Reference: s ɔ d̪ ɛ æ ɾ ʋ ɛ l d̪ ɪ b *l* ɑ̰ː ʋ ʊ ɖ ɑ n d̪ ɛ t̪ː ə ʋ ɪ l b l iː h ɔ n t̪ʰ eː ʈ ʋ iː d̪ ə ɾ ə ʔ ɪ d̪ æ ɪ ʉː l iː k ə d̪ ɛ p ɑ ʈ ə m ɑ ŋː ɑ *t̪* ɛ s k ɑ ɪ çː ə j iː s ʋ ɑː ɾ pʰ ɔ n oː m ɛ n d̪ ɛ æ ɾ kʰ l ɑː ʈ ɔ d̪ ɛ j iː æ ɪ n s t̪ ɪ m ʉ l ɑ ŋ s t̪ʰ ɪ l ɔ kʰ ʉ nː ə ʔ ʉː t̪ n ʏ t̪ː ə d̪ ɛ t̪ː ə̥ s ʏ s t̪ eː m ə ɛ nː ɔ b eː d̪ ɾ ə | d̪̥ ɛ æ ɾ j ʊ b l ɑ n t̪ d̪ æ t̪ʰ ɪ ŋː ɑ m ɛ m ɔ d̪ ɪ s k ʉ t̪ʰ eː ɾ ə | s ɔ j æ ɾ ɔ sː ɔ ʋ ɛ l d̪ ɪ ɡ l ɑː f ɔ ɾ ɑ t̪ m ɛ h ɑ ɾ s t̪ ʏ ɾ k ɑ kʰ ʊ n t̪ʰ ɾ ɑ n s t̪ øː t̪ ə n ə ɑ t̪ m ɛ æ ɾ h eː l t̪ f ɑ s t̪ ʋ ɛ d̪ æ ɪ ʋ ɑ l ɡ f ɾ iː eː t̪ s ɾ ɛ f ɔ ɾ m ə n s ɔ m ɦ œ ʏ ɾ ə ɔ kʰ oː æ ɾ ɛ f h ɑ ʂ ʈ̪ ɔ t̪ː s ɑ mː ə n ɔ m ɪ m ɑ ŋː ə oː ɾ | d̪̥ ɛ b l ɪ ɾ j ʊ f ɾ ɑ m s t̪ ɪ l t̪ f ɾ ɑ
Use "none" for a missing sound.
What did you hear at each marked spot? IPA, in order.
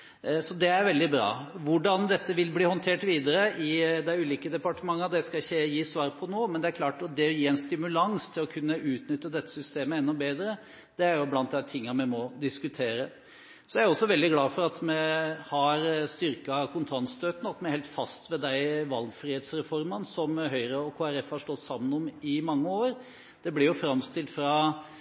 ɾ, d̪

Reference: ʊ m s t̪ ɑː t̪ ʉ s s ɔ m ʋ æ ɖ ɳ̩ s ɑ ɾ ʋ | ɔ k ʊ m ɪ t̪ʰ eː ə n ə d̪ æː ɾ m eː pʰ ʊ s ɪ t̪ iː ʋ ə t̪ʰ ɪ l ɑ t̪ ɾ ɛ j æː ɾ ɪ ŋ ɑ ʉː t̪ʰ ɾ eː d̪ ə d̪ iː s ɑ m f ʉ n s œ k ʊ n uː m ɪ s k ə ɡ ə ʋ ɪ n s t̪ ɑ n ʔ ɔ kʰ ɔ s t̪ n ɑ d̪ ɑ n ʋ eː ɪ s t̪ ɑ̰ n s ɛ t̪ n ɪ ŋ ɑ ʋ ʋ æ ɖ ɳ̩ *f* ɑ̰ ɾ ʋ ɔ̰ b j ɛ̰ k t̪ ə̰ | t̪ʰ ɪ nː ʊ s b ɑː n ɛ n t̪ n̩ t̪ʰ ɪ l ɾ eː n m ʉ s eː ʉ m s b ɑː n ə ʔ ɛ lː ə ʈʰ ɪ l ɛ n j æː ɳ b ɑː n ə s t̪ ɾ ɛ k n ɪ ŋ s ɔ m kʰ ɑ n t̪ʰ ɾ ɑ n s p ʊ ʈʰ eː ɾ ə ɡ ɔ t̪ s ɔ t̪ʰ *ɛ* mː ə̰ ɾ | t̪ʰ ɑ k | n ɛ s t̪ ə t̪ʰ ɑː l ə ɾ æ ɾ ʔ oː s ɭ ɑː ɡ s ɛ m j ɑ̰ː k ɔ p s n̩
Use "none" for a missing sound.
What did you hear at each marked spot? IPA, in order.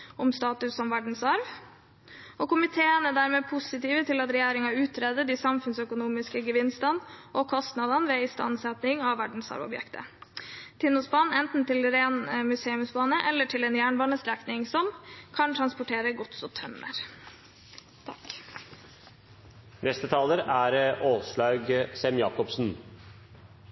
s, œ

